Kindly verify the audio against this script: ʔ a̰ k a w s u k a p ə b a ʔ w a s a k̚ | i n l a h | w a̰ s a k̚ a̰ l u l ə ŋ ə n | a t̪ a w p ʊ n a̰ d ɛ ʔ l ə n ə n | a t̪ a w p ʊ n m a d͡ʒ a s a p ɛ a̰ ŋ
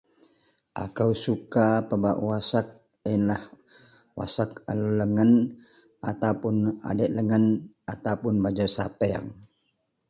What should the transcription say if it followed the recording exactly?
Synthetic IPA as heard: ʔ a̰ k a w s u k a p ə b a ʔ w a s a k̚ | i n l a h | w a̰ s a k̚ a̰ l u l ə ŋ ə n | a t̪ a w p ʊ n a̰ d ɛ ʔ l ə ŋ ə n | a t̪ a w p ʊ n b a d͡ʒ a s a p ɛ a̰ ŋ